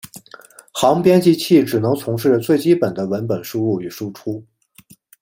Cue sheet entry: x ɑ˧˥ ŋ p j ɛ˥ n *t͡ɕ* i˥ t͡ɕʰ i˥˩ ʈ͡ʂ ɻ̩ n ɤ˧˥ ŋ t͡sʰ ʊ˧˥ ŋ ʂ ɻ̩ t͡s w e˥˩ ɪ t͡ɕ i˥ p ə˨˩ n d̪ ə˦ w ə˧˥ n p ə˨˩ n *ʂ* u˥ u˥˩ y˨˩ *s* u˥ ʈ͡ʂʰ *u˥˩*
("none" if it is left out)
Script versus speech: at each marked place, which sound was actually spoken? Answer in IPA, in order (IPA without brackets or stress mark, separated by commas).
t͡ɕ, ʂ, ʂ, u˥